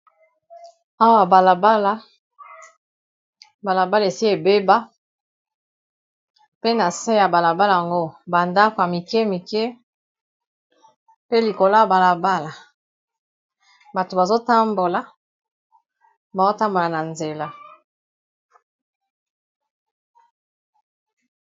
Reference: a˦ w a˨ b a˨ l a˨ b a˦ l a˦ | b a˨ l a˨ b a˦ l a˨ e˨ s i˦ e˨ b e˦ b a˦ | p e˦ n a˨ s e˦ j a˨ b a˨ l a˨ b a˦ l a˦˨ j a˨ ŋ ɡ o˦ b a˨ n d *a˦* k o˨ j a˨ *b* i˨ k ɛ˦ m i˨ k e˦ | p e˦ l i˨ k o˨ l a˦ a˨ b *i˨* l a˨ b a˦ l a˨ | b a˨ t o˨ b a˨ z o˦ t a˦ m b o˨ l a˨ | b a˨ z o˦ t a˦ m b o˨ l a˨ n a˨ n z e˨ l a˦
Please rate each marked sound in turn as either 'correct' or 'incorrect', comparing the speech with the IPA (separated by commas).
correct, incorrect, incorrect